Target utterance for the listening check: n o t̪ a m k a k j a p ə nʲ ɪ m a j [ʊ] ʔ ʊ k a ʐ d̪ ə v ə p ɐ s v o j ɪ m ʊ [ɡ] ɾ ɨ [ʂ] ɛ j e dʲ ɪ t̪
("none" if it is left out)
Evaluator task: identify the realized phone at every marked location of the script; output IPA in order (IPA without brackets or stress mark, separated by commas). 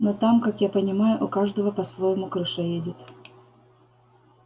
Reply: ʊ, k, ʂ